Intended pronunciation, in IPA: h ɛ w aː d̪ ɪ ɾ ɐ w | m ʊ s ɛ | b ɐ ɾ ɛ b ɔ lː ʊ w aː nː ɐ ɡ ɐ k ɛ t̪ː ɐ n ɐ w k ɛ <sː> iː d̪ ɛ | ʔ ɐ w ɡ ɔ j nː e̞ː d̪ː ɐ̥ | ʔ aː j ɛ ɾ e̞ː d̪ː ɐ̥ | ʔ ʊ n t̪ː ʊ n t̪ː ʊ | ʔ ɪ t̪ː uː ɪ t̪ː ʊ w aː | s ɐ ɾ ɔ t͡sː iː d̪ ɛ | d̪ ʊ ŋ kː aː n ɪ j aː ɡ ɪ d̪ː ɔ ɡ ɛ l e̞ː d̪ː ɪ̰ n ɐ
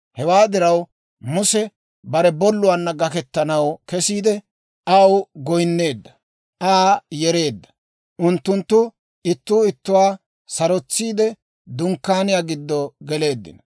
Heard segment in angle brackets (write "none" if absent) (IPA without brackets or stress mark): s